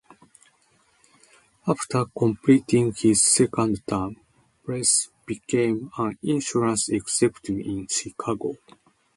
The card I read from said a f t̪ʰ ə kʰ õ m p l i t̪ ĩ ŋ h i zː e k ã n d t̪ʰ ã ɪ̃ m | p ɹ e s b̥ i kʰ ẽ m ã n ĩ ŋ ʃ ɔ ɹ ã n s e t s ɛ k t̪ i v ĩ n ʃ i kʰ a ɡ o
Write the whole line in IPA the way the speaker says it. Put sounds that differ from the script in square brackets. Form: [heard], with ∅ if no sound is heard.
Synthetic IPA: a f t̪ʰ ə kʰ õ m p l i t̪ ĩ ŋ h i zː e k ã n d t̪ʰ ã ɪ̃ m | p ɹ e s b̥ i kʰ ẽ m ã n ĩ [n] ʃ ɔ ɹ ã n s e [k] s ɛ [p] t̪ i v ĩ n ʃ i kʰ a ɡ o